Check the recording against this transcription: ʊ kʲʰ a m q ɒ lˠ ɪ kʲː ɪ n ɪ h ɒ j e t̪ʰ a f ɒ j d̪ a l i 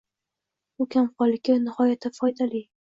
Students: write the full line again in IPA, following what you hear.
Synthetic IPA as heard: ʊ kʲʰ a m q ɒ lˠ ɪ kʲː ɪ n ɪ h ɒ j a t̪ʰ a f ɒ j d̪ a l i